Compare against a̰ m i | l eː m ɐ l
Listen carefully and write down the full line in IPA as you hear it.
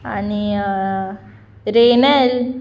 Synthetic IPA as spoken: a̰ n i | ɾ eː n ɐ l